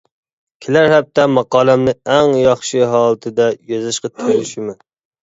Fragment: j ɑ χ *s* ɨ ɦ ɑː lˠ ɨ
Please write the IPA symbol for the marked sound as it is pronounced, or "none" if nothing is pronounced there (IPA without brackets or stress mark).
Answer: ʃ